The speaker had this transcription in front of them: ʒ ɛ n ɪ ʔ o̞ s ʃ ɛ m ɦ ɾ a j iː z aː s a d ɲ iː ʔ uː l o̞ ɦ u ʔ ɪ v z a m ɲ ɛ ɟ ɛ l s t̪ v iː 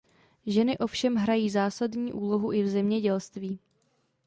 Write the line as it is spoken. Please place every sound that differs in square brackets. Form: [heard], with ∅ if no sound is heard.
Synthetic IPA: ʒ ɛ n ɪ ʔ o̞ [f] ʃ ɛ m ɦ ɾ a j iː z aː s a d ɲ iː ʔ uː l o̞ ɦ u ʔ ɪ v z [ɛ] m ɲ ɛ ɟ ɛ l s t̪ v iː